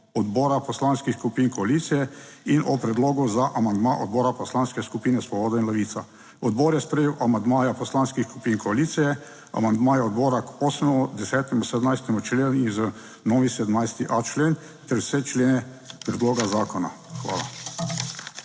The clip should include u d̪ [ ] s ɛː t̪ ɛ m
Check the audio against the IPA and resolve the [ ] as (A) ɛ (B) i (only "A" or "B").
A